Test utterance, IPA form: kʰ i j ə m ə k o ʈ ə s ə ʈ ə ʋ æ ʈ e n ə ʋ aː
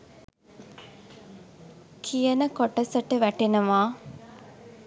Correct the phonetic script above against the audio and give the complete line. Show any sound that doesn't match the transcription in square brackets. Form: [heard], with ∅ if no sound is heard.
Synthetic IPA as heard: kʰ i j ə [n] ə k o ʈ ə s ə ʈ ə ʋ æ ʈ e n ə ʋ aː